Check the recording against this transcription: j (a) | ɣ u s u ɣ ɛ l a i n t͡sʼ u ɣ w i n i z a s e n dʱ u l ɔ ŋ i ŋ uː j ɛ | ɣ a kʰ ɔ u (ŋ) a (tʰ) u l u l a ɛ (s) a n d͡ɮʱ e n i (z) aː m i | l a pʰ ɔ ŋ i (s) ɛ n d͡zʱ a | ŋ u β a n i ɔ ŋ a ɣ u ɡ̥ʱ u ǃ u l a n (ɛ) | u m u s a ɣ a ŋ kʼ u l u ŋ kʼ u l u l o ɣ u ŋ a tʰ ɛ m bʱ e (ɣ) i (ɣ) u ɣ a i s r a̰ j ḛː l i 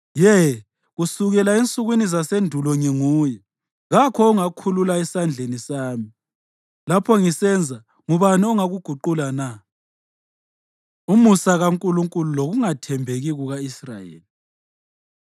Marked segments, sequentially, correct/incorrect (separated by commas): incorrect, correct, incorrect, correct, incorrect, correct, incorrect, correct, correct